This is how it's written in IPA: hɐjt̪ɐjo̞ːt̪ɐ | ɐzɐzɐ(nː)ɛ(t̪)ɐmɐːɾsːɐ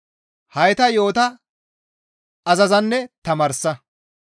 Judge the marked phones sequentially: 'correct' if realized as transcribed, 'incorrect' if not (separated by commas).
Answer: correct, correct